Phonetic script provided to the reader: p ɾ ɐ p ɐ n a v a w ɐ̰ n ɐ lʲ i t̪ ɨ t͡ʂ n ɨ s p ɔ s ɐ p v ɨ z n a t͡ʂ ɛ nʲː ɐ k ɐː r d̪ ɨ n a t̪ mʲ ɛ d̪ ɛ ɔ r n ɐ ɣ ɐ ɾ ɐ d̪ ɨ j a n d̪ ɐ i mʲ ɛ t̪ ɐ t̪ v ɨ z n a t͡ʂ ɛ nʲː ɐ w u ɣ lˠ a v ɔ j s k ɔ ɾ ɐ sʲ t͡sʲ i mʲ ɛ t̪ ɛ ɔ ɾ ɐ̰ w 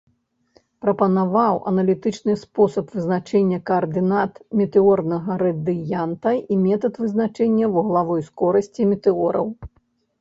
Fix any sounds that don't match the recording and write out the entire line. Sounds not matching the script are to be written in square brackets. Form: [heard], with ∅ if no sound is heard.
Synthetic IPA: p ɾ ɐ p ɐ n a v a w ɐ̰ n ɐ lʲ i t̪ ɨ t͡ʂ n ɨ s p ɔ s ɐ p v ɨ z n a t͡ʂ ɛ nʲː ɐ k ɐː r d̪ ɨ n a t̪ mʲ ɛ [t̪] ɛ ɔ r n ɐ ɣ ɐ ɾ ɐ d̪ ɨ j a n [t̪] ɐ i mʲ ɛ t̪ ɐ t̪ v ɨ z n a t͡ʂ ɛ nʲː ɐ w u ɣ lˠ a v ɔ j s k ɔ ɾ ɐ sʲ t͡sʲ i mʲ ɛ t̪ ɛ ɔ ɾ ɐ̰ w